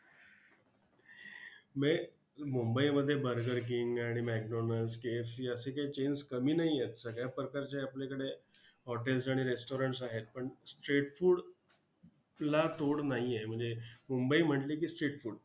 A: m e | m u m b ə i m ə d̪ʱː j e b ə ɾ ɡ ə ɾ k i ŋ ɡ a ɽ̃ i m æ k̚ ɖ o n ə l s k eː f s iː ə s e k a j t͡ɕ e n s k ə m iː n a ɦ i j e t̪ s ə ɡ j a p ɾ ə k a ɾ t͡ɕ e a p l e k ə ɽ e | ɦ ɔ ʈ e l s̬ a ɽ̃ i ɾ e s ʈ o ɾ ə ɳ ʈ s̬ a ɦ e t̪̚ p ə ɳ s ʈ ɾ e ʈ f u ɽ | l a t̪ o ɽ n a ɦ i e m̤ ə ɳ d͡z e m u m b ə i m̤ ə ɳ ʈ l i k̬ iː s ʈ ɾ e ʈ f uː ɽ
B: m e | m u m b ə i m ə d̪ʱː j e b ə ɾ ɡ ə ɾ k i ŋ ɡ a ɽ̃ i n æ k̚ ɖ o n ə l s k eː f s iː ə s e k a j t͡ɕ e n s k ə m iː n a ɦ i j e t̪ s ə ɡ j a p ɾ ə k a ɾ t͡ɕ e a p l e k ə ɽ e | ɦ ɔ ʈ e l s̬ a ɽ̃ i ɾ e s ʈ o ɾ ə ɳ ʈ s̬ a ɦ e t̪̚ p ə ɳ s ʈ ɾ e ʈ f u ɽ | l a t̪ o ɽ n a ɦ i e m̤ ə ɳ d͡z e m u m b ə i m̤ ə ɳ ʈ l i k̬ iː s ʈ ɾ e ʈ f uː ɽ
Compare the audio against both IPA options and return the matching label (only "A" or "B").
A